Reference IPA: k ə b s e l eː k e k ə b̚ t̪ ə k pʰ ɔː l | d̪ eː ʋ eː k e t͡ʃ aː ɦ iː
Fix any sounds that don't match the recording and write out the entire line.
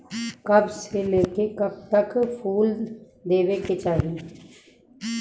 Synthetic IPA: k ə b s e l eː k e k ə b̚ t̪ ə k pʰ uː l | d̪ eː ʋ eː k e t͡ʃ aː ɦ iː